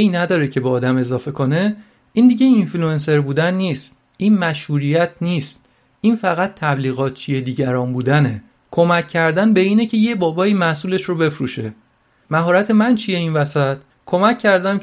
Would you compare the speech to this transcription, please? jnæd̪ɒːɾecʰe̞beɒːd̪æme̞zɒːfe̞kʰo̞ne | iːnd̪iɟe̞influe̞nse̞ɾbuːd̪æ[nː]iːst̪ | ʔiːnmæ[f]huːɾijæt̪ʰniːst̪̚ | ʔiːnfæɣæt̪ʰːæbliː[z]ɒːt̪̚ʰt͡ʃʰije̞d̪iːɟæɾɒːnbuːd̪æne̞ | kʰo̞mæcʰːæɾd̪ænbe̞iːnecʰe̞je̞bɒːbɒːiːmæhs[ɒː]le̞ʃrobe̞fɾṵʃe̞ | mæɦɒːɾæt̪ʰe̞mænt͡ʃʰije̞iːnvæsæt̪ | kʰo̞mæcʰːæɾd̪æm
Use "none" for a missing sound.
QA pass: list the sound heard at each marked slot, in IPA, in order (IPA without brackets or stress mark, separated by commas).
nː, ʃ, ɣ, uː